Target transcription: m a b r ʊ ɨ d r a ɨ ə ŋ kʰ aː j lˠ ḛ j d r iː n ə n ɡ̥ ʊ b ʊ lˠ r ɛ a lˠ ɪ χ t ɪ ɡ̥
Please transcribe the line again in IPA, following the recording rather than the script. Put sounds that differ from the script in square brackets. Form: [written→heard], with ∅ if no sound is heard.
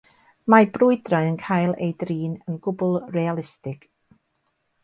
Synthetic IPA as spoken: m a b r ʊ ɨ d r a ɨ ə [ŋ→n] kʰ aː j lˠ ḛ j d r iː n ə n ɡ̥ ʊ b ʊ lˠ r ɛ a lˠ ɪ [χ→s] t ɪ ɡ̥